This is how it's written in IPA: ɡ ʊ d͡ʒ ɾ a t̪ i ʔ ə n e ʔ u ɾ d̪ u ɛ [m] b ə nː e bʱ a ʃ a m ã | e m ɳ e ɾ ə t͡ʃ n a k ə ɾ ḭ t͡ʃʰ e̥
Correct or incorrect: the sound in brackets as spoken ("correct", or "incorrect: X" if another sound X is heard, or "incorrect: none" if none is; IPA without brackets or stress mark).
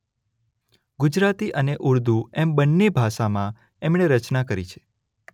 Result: correct